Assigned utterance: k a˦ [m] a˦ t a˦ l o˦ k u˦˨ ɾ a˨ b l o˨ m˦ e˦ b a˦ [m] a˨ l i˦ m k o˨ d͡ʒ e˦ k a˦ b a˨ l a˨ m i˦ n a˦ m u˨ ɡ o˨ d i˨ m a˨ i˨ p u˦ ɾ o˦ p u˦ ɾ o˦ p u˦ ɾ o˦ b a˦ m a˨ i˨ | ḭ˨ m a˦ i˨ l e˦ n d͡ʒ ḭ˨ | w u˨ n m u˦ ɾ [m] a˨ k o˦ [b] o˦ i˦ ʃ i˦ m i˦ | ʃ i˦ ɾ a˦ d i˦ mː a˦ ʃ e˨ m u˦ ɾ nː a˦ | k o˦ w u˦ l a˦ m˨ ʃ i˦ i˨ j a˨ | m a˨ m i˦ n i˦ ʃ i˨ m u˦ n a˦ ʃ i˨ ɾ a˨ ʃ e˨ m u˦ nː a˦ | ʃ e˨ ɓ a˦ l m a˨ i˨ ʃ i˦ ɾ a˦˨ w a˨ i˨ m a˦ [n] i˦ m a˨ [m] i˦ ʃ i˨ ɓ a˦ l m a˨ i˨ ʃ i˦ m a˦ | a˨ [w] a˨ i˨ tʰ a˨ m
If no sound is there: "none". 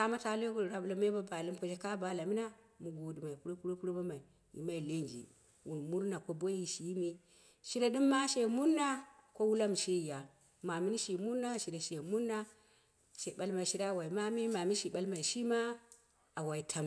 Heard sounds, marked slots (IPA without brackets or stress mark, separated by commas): m, b, n, b, m, m, w